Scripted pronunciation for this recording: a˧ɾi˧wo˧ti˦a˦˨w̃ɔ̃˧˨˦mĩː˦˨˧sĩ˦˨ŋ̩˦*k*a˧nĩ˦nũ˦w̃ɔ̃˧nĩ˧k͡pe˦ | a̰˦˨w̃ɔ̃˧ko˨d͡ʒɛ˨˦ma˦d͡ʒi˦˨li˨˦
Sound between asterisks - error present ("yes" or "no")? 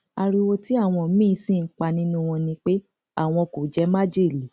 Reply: yes